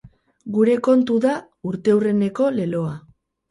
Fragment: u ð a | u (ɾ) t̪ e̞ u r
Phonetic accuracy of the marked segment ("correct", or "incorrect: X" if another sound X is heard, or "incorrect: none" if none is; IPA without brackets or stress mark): correct